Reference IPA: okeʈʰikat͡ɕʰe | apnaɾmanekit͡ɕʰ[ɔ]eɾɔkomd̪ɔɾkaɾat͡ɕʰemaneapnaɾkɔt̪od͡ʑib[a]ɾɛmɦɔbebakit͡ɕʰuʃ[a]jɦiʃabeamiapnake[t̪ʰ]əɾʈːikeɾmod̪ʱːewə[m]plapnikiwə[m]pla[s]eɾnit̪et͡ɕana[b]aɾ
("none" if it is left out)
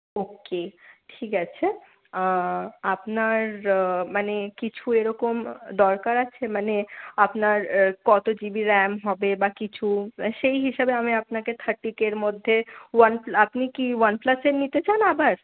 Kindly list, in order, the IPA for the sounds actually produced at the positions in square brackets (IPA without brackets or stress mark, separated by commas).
u, i, e, t̪ʰ, n, n, s, b